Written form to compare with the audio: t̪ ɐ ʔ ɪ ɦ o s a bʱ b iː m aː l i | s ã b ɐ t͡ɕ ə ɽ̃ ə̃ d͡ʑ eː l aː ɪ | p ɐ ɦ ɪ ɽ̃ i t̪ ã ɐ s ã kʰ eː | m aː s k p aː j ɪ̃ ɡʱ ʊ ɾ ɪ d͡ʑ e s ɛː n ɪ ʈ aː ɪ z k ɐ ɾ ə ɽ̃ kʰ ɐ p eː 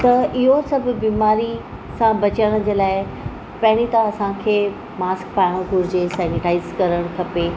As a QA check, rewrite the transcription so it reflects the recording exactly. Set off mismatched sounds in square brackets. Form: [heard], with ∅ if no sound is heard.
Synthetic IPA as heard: t̪ ɐ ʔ ɪ ɦ o s [ɐ] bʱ b iː m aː [ɾ] i | s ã b ɐ t͡ɕ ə ɽ̃ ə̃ d͡ʑ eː l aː ɪ | p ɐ ɦ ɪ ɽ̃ i t̪ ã ɐ s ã kʰ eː | m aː s k p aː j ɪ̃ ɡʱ ʊ ɾ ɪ d͡ʑ e s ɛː n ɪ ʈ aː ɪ z k ɐ ɾ ə ɽ̃ kʰ ɐ p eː